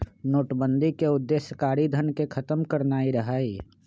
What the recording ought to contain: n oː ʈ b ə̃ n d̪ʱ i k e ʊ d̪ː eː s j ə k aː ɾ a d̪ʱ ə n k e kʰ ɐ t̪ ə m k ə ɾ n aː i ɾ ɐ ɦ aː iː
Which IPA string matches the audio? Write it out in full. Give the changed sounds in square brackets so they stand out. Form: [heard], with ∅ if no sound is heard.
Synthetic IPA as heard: n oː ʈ b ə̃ n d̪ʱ i k e ʊ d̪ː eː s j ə k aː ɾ [i] d̪ʱ ə n k e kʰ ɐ t̪ ə m k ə ɾ n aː i ɾ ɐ ɦ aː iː